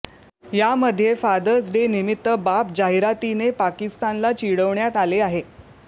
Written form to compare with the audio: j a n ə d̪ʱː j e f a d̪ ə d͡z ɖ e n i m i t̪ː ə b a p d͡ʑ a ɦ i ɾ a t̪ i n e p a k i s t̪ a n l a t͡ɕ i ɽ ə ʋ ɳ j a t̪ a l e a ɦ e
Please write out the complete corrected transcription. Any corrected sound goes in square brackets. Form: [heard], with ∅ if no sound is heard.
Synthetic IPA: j a [m] ə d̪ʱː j e f a d̪ ə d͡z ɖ e n i m i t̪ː ə b a p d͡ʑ a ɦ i ɾ a t̪ i n e p a k i s t̪ a n l a t͡ɕ i ɽ ə ʋ ɳ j a t̪ a l e a ɦ e